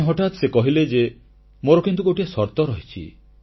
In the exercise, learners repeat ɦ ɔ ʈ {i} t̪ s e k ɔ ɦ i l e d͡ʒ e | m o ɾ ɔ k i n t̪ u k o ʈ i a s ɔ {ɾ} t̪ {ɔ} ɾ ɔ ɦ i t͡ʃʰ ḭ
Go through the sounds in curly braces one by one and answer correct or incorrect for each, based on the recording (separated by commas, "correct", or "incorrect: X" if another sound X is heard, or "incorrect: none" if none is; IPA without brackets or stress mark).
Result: incorrect: a, correct, correct